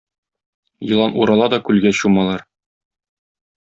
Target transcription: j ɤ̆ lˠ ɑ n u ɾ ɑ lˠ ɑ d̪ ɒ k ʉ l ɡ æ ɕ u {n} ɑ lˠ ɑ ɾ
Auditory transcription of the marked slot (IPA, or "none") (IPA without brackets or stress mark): m